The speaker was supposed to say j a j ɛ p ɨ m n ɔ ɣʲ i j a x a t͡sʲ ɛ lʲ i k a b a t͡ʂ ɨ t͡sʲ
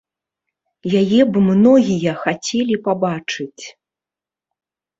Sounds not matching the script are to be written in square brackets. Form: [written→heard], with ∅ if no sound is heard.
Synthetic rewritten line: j a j ɛ [p→b] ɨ m n ɔ ɣʲ i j [a→ɐ] x a t͡sʲ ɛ lʲ i [k→p] a b a t͡ʂ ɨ t͡sʲ

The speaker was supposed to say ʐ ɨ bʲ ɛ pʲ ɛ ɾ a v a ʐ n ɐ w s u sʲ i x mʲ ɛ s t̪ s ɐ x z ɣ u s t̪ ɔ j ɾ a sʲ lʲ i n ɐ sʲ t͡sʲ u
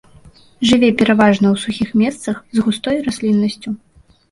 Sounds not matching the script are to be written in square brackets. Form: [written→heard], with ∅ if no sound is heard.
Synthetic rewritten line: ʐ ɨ [bʲ→vʲ] ɛ pʲ ɛ ɾ a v a ʐ n ɐ w s u [sʲ→xʲ] i x mʲ ɛ s t̪ s ɐ x z ɣ u s t̪ ɔ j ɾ a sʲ lʲ i [n→nː] ɐ sʲ t͡sʲ u

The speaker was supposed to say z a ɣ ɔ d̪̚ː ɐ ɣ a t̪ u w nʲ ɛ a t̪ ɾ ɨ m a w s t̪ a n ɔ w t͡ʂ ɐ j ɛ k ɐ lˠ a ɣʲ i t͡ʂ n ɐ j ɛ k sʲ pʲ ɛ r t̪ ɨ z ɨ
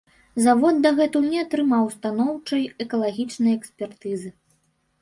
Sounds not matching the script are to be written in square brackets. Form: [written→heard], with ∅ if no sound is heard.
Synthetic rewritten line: z a [ɣ→v] ɔ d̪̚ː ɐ ɣ [a→ɛ] t̪ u w nʲ ɛ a t̪ ɾ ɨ m a w s t̪ a n ɔ w t͡ʂ ɐ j ɛ k ɐ lˠ a ɣʲ i t͡ʂ n ɐ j ɛ k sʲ pʲ ɛ r t̪ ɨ z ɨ

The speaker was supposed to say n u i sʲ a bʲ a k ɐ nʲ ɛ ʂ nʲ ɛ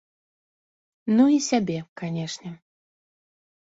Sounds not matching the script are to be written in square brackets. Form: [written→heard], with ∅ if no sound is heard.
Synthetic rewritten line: n u i sʲ a bʲ [a→ɛ] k [ɐ→a] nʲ ɛ ʂ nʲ ɛ

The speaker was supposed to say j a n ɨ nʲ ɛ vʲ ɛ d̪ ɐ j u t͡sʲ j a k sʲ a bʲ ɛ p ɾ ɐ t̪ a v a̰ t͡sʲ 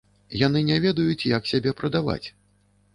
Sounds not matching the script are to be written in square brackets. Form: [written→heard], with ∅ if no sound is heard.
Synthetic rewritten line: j a n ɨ nʲ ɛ vʲ ɛ d̪ ɐ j u t͡sʲ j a k sʲ a bʲ ɛ p ɾ ɐ [t̪→d̪] a v a̰ t͡sʲ

